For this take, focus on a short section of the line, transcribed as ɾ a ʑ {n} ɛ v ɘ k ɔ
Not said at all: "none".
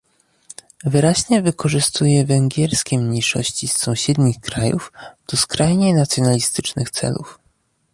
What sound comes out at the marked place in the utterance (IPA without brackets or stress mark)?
ɲ